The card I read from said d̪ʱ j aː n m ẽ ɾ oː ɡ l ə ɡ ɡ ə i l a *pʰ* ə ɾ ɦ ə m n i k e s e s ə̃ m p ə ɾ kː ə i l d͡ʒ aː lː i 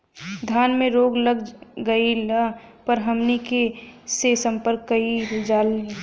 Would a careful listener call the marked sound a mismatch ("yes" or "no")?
yes